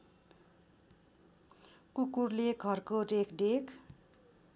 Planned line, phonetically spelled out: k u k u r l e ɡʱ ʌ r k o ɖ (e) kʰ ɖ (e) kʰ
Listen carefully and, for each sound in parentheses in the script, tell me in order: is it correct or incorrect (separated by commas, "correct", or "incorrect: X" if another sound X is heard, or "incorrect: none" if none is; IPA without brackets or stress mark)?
correct, correct